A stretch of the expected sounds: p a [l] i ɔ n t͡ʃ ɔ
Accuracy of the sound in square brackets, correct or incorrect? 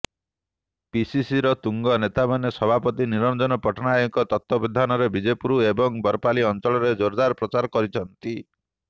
correct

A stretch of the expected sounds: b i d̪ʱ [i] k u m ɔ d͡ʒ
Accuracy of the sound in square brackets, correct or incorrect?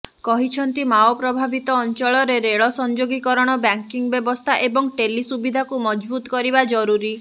incorrect: a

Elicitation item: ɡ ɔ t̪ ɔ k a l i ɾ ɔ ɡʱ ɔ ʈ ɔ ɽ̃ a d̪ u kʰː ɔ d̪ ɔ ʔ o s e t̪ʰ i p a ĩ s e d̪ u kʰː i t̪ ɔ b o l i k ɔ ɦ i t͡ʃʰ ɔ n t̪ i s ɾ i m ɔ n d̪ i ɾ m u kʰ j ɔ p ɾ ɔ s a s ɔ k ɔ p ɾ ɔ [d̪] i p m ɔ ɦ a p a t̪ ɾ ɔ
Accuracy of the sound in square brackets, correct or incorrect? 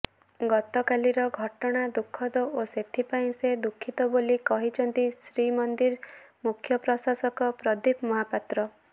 correct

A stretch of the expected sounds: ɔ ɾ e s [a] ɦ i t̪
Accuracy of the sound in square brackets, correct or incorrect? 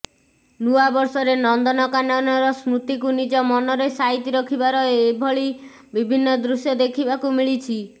correct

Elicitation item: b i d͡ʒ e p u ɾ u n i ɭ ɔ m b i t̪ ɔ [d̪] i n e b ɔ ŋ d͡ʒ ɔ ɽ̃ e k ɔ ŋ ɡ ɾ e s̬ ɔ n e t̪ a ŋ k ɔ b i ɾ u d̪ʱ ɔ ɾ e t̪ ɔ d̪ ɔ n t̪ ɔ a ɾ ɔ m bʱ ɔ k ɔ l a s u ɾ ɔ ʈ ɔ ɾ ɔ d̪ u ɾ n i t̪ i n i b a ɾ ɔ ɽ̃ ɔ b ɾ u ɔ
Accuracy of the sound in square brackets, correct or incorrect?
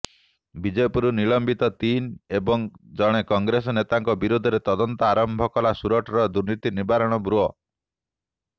incorrect: t̪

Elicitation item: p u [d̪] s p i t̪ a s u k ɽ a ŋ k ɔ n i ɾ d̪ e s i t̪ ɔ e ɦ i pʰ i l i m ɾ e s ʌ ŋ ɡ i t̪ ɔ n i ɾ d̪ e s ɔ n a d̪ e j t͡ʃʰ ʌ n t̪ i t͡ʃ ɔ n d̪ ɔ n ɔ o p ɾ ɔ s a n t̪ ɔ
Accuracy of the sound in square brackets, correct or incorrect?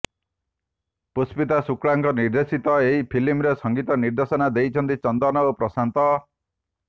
incorrect: none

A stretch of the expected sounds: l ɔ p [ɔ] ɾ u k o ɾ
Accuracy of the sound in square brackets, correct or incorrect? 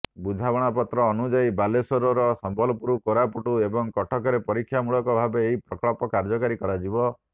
incorrect: u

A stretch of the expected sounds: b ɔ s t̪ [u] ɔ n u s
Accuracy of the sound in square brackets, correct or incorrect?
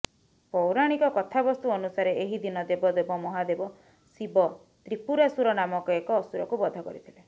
correct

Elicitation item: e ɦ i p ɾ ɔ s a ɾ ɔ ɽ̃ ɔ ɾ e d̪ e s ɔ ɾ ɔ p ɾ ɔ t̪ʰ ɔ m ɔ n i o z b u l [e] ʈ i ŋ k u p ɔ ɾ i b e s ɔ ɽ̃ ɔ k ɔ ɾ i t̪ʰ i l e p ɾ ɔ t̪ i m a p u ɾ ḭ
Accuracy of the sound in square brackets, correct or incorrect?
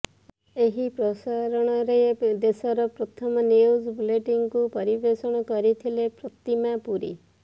correct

